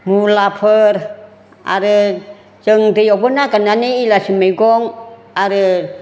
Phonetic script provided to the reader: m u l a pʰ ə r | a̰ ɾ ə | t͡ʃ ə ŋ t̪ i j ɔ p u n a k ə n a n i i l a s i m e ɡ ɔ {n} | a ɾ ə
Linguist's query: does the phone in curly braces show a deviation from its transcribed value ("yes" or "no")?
yes